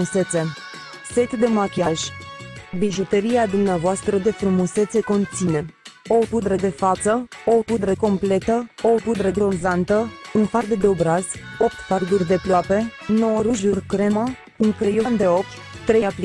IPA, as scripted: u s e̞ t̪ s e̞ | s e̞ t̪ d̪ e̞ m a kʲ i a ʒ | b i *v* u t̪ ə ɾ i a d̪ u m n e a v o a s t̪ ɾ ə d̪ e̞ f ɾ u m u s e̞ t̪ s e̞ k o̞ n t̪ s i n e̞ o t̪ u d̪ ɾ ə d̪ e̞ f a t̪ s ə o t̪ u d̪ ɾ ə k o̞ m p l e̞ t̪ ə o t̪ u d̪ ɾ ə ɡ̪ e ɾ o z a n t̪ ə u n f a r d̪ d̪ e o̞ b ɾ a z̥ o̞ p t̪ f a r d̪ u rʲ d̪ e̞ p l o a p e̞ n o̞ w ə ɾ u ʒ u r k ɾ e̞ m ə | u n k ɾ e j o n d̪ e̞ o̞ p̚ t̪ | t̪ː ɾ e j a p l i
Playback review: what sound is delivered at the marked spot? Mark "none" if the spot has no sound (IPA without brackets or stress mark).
ʒ